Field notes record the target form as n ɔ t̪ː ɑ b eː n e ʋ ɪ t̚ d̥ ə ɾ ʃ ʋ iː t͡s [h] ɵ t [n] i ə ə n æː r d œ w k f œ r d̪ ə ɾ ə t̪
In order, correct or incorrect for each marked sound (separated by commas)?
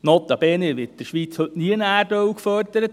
correct, correct